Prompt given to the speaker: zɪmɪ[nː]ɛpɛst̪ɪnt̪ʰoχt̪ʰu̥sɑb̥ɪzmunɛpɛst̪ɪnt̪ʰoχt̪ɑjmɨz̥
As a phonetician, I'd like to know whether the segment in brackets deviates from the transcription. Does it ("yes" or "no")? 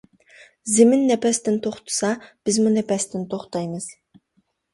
no